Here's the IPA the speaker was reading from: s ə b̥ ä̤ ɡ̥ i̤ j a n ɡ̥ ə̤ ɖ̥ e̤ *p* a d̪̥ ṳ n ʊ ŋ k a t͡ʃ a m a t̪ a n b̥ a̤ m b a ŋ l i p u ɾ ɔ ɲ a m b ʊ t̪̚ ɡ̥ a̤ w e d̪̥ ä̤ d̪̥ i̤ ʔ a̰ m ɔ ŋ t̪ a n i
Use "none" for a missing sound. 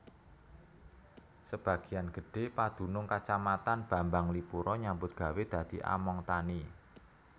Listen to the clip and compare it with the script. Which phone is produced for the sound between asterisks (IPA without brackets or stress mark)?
p